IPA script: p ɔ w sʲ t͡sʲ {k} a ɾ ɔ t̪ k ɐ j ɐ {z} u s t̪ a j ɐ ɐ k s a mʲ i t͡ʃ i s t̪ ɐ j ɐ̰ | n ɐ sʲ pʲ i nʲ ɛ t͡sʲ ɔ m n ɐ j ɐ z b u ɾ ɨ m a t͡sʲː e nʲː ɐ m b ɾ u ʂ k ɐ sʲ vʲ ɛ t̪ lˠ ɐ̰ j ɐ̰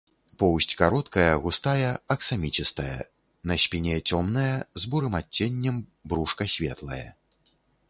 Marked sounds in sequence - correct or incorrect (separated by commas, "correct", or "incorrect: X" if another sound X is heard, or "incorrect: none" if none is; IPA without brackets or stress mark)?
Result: correct, incorrect: ɣ